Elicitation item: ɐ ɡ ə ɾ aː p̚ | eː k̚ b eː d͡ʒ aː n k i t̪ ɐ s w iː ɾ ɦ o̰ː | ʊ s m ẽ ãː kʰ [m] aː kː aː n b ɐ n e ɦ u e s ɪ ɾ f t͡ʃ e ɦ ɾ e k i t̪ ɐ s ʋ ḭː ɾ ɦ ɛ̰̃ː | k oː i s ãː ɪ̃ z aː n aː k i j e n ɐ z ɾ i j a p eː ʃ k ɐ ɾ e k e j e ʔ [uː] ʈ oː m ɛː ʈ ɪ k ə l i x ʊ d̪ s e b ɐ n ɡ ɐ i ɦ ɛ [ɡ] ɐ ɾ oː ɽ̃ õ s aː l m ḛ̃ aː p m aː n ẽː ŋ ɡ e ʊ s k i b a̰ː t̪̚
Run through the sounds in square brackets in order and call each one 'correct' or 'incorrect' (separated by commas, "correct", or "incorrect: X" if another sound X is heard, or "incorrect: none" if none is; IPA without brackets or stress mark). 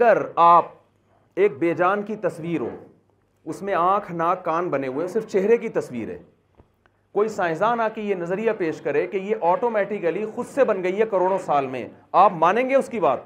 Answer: incorrect: n, incorrect: ɔː, incorrect: k